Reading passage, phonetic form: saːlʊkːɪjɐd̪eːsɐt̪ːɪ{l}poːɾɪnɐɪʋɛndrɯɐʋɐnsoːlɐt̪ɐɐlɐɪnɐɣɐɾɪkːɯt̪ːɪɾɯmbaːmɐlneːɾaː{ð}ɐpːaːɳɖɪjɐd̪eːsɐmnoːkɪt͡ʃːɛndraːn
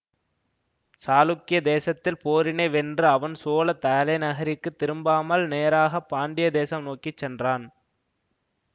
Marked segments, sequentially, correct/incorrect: correct, incorrect: ɣ

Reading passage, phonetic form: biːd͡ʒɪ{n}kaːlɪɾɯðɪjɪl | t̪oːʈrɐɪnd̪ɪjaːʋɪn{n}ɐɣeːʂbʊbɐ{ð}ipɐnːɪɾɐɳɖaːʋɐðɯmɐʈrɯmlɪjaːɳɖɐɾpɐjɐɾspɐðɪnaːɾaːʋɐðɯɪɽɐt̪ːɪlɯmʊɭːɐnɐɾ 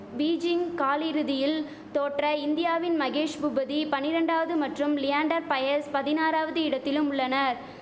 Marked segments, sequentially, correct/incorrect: incorrect: ŋ, incorrect: m, correct

